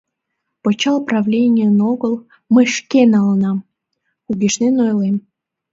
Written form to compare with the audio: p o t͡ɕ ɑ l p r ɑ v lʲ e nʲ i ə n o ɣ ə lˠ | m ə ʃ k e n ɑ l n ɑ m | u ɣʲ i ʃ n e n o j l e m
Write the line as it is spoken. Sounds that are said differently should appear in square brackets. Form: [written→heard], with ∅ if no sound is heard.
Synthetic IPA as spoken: p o t͡ɕ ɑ l p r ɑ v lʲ e nʲ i ə n o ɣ ə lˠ | m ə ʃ k e n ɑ l n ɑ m | u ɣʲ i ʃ n e n o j l e m

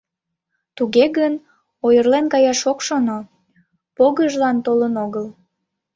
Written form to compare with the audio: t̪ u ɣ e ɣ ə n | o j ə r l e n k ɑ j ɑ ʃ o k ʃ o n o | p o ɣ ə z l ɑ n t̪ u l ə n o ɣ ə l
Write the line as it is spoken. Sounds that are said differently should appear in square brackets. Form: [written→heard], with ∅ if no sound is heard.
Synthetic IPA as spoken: t̪ u ɣ e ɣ ə n | o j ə r l e n k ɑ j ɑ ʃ o k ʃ o n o | p o ɣ ə [z→ʒ] l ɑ n t̪ [u→o] l ə n o ɣ ə l

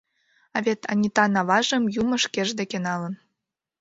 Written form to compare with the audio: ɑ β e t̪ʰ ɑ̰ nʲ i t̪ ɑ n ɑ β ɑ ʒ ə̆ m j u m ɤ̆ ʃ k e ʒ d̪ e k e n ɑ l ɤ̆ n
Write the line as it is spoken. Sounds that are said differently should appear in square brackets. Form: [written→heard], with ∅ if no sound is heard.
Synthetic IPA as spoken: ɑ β e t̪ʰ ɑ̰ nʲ i t̪ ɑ n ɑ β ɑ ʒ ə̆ m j u m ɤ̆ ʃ k e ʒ d̪ e k e n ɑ l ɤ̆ n

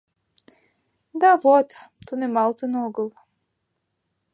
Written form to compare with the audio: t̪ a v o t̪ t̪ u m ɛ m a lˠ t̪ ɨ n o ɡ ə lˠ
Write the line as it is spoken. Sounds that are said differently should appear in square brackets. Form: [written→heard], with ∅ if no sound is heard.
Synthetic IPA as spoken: [t̪→d̪] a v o t̪ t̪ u [m→n] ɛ m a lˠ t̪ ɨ n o ɡ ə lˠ

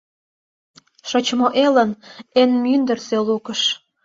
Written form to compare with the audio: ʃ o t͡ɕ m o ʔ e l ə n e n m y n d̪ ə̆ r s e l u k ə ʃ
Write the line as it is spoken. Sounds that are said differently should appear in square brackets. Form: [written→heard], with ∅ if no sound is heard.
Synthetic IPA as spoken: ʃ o t͡ɕ m o ʔ e l ə n e n m y n d̪ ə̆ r s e l u k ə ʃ

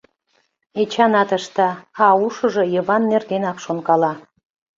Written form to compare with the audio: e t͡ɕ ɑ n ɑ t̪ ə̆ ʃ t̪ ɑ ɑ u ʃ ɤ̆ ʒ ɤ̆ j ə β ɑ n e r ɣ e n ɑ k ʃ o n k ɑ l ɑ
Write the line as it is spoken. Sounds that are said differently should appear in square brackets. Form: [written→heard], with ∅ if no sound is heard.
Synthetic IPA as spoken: e t͡ɕ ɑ n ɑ t̪ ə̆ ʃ t̪ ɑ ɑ u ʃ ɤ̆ ʒ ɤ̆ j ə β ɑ [n→nː] e r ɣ e n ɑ k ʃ o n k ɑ l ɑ

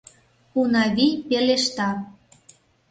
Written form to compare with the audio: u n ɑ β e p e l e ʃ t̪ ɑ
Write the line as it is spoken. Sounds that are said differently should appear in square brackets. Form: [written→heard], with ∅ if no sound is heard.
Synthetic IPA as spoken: u n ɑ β [e→i] p e l e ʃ t̪ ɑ

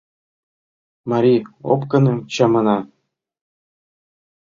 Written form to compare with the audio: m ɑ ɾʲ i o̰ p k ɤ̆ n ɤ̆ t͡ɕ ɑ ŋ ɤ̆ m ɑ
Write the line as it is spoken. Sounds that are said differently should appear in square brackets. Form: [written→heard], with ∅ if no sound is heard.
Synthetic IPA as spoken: m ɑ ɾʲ i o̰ p k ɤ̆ n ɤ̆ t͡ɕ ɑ [ŋ→m] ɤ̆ [m→n] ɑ

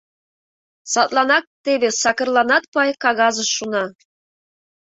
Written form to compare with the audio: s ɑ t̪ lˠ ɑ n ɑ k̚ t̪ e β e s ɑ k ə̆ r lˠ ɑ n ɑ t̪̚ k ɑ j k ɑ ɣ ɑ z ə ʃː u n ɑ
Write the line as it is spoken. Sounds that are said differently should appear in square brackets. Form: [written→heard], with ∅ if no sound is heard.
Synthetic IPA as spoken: s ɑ t̪ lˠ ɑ n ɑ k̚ t̪ e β e s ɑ k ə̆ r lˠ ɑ n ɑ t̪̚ [k→p] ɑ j k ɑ ɣ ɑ z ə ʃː u n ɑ

